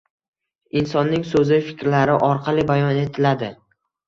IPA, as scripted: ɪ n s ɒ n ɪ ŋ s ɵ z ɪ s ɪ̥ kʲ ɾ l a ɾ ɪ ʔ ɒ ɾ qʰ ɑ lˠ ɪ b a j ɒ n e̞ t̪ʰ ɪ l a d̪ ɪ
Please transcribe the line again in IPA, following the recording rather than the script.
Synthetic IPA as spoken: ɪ n s ɒ nː ɪ ŋ s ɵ z ɪ f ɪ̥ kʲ ɾ l a ɾ ɪ ʔ ɒ ɾ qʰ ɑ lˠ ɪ b a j ɒ n e̞ t̪ʰ ɪ l a d̪ ɪ